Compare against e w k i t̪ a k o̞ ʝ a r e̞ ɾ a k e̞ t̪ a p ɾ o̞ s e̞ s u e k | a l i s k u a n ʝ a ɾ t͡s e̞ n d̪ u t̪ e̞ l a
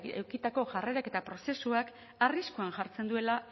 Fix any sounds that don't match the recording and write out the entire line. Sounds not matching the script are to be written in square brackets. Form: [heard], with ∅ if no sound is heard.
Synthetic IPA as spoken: e w k i t̪ a k o̞ ʝ a r e̞ ɾ a k e̞ t̪ a p ɾ o̞ s e̞ s u [a] k | a [r] i s k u a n ʝ a ɾ t͡s e̞ n d̪ u [∅] e̞ l a

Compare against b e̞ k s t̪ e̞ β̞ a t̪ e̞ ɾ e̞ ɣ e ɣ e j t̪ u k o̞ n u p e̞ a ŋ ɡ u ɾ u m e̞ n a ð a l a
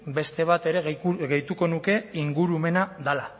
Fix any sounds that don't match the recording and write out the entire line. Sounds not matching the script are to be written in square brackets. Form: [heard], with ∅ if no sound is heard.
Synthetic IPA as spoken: b e̞ [∅] s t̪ e̞ β̞ a t̪ e̞ ɾ e̞ ɣ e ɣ e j t̪ u k o̞ n u [k] e̞ [i] ŋ ɡ u ɾ u m e̞ n a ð a l a

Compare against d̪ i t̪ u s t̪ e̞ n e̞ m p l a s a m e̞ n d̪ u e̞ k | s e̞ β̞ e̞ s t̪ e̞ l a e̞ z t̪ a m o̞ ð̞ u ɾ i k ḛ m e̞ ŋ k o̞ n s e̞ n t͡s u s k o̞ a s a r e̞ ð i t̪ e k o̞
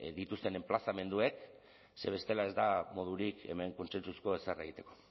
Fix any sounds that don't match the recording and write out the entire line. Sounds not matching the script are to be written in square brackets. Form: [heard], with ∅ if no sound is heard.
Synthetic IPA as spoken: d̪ i t̪ u s t̪ e̞ n e̞ m p l a s a m e̞ n d̪ u e̞ k | s e̞ β̞ e̞ s t̪ e̞ l a e̞ z [d̪] a m o̞ ð̞ u ɾ i k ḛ m e̞ ŋ k o̞ n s e̞ n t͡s u s k o̞ [e] s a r e̞ [ɣ] i t̪ e k o̞

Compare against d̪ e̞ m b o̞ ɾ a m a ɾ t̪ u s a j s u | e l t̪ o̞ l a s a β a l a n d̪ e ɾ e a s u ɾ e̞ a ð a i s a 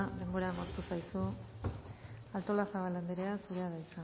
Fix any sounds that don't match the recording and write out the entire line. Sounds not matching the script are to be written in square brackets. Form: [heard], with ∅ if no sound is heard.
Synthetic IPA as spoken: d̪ e̞ m b o̞ ɾ a m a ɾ t̪ u s a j s u | [a] l t̪ o̞ l a s a β a l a n d̪ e ɾ e a s u ɾ e̞ a ð a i s a

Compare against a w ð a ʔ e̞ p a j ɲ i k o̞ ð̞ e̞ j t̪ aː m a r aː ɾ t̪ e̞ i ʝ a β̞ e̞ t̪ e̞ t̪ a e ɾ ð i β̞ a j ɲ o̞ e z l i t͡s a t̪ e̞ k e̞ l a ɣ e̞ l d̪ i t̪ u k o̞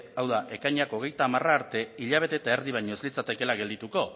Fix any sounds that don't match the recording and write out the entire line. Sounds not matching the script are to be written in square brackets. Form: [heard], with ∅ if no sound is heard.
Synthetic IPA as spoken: a w ð a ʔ e̞ [k] a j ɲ [a] k o̞ [ɣ̞] e̞ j t̪ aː m a r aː ɾ t̪ e̞ i [ʎ] a β̞ e̞ t̪ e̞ t̪ a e ɾ ð i β̞ a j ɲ o̞ e z l i t͡s a t̪ e̞ k e̞ l a ɣ e̞ l d̪ i t̪ u k o̞

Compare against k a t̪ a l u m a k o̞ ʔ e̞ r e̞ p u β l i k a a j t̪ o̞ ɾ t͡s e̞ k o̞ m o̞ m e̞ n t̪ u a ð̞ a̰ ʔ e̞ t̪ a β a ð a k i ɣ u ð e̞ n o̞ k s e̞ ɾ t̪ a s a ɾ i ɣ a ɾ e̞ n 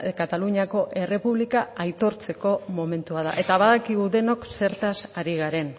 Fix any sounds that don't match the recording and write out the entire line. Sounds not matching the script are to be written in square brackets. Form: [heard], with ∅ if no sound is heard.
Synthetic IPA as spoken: k a t̪ a l u [ɲ] a k o̞ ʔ e̞ r e̞ p u β l i k a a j t̪ o̞ ɾ t͡s e̞ k o̞ m o̞ m e̞ n t̪ u a ð̞ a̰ ʔ e̞ t̪ a β a ð a k i ɣ u ð e̞ n o̞ k s e̞ ɾ t̪ a s a ɾ i ɣ a ɾ e̞ n

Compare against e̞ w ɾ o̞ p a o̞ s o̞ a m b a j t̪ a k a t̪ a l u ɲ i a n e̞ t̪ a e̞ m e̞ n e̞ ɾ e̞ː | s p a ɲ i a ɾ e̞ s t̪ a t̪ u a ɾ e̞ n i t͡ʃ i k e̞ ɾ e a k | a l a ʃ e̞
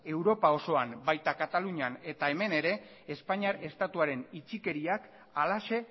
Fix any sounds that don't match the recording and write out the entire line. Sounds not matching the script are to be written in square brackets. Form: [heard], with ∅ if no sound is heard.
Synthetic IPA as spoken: e̞ w ɾ o̞ p a o̞ s o̞ a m b a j t̪ a k a t̪ a l u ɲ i a n e̞ t̪ a e̞ m e̞ n e̞ ɾ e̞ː | s p a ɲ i a ɾ e̞ s t̪ a t̪ u a ɾ e̞ n i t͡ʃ i k e̞ ɾ [i] a k | a l a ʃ e̞

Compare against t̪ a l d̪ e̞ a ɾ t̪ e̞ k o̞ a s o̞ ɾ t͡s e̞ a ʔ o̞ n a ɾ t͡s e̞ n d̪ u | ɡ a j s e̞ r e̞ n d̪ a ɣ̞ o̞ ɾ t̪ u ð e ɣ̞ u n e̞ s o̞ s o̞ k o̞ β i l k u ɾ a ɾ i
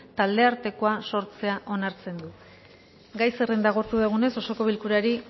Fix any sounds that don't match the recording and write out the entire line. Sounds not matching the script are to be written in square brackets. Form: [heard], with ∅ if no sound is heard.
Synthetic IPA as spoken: t̪ a l d̪ e̞ a ɾ t̪ e̞ k o̞ a s o̞ ɾ t͡s e̞ a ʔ o̞ n a ɾ t͡s e̞ n d̪ u | ɡ a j s e̞ r e̞ n d̪ a ɣ̞ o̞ ɾ t̪ u ð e ɣ̞ u n e̞ s o̞ s o̞ k o̞ β i l k u ɾ a ɾ i

